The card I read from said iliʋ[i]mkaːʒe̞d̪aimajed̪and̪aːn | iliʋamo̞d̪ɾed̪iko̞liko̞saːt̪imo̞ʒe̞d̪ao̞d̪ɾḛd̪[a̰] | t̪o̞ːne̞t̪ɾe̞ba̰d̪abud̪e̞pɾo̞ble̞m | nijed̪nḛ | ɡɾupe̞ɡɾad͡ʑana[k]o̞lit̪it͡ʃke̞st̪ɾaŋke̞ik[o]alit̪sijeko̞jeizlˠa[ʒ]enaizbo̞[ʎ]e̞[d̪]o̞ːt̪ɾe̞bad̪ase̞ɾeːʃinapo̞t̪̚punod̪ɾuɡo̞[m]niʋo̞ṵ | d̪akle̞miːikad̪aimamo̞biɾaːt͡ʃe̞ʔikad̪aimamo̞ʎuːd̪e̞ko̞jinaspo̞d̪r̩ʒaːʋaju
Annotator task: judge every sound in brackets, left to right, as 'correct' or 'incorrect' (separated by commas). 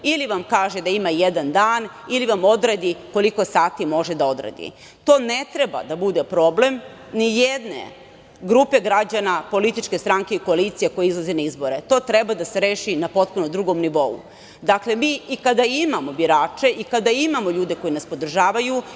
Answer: incorrect, incorrect, incorrect, correct, incorrect, incorrect, incorrect, correct